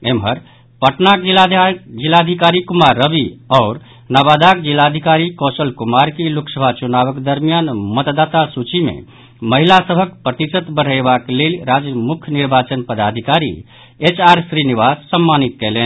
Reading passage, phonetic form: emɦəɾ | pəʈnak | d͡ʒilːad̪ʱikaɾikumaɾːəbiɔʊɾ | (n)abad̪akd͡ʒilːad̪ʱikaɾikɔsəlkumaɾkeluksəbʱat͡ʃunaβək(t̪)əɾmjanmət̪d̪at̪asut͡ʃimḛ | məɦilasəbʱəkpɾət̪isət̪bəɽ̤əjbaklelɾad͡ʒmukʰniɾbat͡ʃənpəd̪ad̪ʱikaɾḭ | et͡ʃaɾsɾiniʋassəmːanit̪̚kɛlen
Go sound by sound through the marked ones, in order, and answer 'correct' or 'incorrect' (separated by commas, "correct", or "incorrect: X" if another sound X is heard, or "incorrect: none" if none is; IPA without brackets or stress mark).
correct, incorrect: d̪